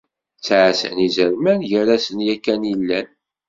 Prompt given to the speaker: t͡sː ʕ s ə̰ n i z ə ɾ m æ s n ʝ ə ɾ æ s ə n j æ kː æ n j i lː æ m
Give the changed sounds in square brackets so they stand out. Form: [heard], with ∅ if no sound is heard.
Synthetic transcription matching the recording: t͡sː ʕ s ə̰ n i z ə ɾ m æ [∅] n ʝ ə ɾ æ s ə n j æ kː æ n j i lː æ [n]